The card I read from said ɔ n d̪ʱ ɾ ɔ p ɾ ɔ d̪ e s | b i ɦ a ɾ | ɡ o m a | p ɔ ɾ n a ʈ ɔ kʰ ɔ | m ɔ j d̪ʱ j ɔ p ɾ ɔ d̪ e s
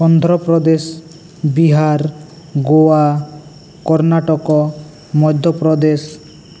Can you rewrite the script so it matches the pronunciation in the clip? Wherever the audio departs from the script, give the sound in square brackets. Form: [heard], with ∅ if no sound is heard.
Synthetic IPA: ɔ n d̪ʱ ɾ ɔ p ɾ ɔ d̪ e s | b i ɦ a ɾ | ɡ o [∅] a | [k] ɔ ɾ n a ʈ ɔ [k] ɔ | m ɔ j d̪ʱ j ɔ p ɾ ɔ d̪ e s